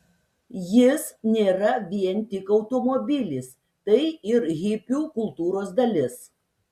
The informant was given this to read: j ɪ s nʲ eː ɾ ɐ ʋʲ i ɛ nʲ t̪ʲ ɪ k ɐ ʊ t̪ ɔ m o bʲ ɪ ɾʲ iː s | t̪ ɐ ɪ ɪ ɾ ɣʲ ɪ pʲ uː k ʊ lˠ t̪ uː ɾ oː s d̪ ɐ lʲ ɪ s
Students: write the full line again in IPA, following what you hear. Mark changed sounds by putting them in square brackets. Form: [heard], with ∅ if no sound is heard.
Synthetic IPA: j ɪ s nʲ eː ɾ ɐ ʋʲ i ɛ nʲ t̪ʲ ɪ k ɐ ʊ t̪ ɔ m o bʲ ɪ [lʲ] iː s | t̪ ɐ ɪ ɪ ɾ ɣʲ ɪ pʲ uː k ʊ lˠ t̪ uː ɾ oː s d̪ ɐ lʲ ɪ s